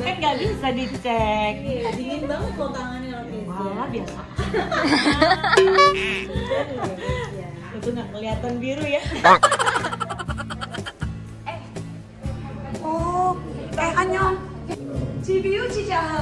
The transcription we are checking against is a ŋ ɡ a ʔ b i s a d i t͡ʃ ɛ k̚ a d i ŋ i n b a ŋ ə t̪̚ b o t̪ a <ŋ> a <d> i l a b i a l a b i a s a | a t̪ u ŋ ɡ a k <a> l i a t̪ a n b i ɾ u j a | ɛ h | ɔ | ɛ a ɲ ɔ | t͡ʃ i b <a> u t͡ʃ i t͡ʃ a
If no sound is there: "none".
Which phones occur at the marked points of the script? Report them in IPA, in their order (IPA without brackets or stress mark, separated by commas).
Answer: ŋ, n, ə, i